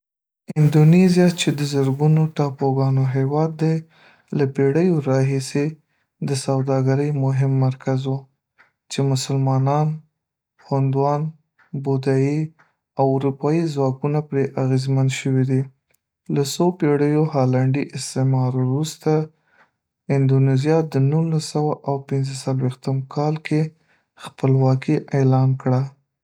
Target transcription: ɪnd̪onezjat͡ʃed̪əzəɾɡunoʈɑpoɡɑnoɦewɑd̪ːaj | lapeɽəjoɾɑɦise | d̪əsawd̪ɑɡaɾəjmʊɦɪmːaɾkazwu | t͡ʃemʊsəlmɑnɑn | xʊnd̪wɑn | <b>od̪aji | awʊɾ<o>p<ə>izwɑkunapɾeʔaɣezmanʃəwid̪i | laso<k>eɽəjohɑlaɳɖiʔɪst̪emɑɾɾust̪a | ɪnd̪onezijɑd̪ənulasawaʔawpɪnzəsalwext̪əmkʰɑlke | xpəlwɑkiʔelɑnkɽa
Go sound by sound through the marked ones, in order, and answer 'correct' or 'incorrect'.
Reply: correct, incorrect: u, incorrect: ɑ, incorrect: p

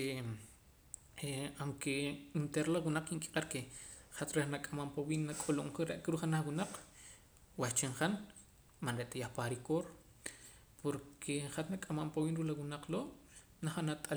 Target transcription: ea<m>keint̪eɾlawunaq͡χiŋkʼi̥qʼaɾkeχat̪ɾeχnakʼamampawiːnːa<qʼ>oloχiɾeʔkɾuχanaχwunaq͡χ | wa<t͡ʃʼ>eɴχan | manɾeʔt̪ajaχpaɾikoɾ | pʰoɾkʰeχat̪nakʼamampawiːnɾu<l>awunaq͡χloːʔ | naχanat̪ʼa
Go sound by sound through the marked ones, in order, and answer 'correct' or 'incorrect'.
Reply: incorrect: ŋ, incorrect: kʼ, incorrect: t͡ʃ, correct

